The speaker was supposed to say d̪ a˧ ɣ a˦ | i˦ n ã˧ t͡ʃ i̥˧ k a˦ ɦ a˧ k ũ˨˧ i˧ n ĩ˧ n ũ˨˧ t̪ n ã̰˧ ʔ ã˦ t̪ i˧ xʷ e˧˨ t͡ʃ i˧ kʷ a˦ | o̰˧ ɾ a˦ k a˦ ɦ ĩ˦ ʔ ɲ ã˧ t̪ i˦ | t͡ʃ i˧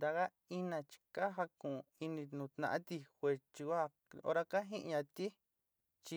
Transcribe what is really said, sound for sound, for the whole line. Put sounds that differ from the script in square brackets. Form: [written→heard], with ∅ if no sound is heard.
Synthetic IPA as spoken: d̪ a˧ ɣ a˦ | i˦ n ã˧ t͡ʃ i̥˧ k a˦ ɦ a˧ k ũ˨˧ i˧ n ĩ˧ n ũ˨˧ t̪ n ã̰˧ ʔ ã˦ t̪ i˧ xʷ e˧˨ t͡ʃ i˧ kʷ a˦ | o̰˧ ɾ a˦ k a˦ ɦ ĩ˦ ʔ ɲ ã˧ t̪ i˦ | t͡ʃ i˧

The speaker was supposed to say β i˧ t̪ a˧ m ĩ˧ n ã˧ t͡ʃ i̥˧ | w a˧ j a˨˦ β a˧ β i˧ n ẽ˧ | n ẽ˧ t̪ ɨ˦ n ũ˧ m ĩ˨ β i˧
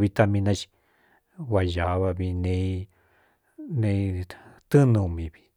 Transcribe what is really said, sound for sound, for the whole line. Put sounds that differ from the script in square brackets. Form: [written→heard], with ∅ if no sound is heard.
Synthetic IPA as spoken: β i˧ t̪ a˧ m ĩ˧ n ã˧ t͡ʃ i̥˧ | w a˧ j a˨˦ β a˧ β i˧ n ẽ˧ | n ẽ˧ t̪ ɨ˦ n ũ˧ m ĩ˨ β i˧

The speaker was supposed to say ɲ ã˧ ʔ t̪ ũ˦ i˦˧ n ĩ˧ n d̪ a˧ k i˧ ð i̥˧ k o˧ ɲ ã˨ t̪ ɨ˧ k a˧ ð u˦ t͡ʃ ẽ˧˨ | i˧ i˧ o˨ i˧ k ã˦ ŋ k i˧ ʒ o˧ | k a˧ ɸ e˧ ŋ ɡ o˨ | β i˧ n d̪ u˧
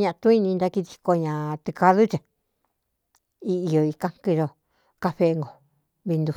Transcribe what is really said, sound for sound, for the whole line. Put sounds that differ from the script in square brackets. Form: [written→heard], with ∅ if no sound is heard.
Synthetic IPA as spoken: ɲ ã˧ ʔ t̪ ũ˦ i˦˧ n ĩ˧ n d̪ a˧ k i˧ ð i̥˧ k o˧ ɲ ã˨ t̪ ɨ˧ k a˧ ð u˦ t͡ʃ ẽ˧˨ | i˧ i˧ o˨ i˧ k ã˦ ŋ k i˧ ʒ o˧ | k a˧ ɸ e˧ ŋ ɡ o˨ | β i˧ n d̪ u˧

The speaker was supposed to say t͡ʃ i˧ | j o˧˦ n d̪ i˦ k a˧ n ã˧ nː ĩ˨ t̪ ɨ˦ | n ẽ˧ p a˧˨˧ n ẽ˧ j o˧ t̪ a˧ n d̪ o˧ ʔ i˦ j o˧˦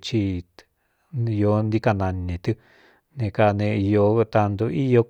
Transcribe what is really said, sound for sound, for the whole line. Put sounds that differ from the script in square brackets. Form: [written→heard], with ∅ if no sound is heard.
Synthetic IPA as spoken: t͡ʃ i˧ | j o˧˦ n d̪ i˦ k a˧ n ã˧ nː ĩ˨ t̪ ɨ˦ | n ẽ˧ [p→k] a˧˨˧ n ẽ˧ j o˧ t̪ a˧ n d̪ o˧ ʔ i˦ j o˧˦

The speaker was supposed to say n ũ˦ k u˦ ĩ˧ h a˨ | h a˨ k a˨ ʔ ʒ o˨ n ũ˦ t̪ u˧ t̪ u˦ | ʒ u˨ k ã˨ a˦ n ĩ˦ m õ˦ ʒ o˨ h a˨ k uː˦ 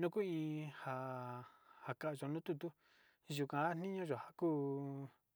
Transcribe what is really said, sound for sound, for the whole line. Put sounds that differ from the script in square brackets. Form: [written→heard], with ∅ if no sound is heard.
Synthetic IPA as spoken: n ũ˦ k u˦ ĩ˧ h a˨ | h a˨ k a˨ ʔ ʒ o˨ n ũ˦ t̪ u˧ t̪ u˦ | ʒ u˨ k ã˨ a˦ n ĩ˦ [m→ɲ] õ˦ ʒ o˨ h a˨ k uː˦

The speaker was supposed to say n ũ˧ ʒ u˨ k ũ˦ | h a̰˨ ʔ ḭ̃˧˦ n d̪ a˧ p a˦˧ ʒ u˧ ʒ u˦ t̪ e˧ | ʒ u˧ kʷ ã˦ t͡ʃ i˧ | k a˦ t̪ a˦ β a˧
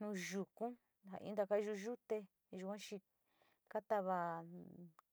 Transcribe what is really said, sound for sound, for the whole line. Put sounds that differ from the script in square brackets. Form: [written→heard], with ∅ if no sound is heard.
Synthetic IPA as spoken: n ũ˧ ʒ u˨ k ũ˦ | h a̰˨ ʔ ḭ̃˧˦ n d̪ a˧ [p→k] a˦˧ ʒ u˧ ʒ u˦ t̪ e˧ | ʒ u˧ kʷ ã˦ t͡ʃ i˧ | k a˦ t̪ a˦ β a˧

